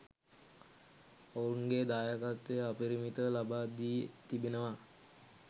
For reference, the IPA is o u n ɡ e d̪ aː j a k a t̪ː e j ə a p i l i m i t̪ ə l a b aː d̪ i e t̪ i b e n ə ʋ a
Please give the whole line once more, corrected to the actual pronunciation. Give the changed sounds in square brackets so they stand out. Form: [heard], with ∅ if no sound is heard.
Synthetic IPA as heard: o u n ɡ e d̪ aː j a k a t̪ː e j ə a p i [ɾ] i m i t̪ ə l a b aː d̪ i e t̪ i b e n ə ʋ a